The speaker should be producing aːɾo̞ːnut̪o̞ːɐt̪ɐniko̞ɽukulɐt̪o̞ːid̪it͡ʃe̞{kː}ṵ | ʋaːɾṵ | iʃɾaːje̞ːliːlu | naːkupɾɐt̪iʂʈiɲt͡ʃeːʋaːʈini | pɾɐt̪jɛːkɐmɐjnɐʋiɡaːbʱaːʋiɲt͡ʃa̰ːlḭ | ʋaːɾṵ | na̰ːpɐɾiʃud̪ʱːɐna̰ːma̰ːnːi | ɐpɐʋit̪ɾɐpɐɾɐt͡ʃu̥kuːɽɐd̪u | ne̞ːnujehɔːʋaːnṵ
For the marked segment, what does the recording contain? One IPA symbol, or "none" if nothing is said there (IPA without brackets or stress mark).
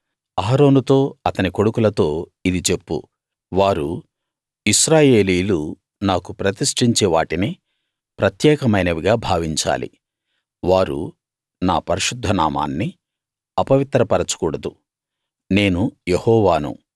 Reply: pː